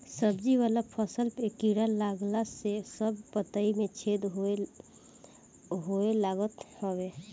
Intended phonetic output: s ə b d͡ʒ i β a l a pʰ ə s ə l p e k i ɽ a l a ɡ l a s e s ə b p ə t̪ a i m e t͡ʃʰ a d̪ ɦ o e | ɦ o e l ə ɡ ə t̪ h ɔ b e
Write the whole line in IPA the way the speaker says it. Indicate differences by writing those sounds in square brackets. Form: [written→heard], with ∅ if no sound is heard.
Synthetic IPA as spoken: s ə b d͡ʒ i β a l a pʰ ə s ə l p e k i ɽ a l a ɡ l a s e s ə b p ə t̪ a i m e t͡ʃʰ [a→e] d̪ ɦ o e | ɦ o e l [ə→a] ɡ ə t̪ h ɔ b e